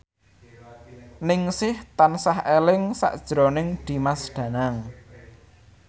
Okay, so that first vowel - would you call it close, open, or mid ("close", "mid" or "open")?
close